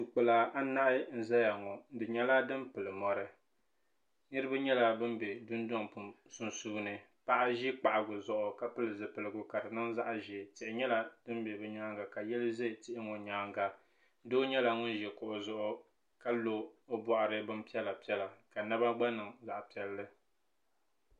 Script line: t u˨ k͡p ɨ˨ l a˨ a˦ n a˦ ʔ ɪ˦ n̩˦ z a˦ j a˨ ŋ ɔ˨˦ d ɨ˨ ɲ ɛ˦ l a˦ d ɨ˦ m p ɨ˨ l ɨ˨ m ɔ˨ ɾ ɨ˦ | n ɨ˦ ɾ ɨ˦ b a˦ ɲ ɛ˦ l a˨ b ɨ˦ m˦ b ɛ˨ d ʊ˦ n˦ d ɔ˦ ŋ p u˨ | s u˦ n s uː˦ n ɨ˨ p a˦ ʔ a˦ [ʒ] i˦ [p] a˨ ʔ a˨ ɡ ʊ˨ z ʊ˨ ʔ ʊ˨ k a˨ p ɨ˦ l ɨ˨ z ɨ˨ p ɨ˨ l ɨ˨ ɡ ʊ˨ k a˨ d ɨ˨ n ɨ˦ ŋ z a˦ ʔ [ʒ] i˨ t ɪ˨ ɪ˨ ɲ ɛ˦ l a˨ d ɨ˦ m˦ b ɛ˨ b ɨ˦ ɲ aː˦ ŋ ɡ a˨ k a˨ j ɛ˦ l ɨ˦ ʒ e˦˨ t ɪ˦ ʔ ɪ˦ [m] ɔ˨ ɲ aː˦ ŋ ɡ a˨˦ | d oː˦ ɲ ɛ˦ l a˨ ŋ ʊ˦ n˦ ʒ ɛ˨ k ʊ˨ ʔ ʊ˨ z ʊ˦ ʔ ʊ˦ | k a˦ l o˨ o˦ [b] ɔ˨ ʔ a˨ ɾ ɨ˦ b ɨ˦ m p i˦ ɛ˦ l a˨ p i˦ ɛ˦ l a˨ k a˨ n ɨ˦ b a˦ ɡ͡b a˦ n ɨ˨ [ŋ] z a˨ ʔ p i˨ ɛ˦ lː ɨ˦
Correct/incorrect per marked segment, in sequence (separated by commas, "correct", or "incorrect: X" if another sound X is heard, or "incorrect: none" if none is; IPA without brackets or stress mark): correct, incorrect: k͡p, correct, incorrect: ŋ, correct, correct